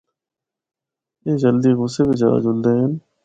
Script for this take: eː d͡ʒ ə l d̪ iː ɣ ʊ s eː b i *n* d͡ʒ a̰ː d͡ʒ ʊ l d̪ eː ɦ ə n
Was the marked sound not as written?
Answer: yes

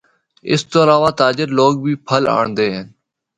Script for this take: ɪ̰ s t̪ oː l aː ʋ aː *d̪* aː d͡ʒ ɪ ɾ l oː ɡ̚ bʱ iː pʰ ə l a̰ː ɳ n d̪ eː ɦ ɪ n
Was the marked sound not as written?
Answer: yes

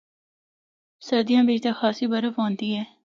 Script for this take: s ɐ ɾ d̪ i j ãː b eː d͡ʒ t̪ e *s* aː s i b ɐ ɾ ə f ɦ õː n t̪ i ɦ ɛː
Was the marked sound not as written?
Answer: yes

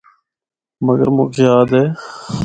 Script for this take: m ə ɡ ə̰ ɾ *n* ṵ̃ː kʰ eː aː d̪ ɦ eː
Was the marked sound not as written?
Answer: yes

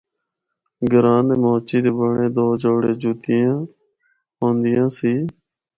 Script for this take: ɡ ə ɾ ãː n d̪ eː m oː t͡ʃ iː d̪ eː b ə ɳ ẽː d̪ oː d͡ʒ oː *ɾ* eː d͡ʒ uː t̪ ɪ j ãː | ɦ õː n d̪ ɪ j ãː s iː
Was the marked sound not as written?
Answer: yes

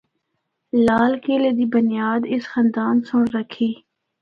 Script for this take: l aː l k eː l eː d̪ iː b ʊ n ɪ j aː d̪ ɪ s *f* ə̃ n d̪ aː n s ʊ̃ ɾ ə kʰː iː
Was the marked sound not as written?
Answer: yes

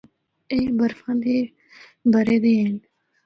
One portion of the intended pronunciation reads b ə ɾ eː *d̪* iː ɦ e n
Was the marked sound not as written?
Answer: no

